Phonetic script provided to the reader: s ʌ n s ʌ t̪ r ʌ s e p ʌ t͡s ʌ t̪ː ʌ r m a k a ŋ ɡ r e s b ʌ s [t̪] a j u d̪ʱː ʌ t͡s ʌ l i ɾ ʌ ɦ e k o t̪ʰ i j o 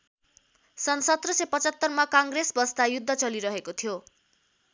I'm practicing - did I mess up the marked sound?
no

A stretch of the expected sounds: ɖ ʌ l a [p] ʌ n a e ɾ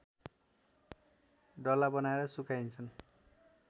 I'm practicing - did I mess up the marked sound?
yes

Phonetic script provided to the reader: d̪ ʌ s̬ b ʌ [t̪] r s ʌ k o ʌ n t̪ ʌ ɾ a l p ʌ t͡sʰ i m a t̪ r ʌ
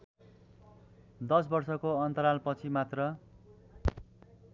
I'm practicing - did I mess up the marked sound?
yes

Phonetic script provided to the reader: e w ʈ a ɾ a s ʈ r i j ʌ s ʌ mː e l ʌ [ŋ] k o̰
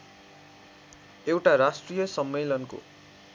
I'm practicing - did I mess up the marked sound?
yes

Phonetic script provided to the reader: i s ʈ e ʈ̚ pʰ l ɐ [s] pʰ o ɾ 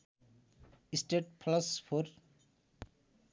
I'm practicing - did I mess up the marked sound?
no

